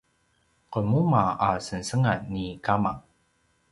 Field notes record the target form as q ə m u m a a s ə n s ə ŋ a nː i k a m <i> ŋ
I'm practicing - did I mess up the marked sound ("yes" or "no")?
yes